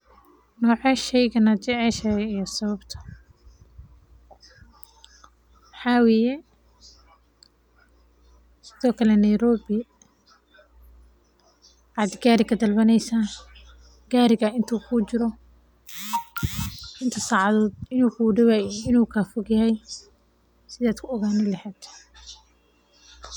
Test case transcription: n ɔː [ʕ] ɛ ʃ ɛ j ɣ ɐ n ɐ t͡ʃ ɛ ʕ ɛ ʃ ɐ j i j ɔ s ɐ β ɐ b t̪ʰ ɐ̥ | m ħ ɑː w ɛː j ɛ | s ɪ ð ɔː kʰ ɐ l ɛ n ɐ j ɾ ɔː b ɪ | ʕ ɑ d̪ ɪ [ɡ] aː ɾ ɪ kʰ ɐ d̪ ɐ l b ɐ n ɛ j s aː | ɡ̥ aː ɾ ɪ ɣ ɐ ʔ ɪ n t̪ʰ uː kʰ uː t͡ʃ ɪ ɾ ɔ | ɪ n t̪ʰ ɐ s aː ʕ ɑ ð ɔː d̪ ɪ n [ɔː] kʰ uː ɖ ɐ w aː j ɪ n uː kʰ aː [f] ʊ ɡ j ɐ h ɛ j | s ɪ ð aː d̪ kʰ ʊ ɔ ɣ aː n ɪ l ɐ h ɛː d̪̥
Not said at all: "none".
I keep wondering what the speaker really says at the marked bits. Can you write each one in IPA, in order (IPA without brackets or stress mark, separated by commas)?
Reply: ʕ, ɡ, uː, f